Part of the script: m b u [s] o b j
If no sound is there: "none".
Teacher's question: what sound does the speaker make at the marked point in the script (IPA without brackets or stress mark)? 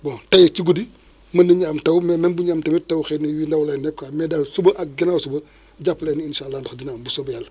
s